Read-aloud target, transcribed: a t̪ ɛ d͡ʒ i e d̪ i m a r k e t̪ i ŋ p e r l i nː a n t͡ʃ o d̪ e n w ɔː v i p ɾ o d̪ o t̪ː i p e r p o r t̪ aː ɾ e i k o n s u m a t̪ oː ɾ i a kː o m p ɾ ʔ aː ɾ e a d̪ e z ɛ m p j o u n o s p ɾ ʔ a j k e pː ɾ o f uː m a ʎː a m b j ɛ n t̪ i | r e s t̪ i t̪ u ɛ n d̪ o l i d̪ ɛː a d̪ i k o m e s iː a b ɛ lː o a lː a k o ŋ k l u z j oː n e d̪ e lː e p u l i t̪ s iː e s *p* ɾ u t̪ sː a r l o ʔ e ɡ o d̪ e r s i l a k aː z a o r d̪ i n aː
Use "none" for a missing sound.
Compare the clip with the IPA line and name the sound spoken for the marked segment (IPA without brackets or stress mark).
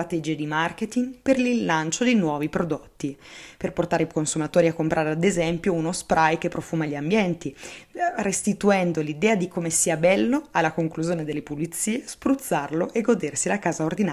p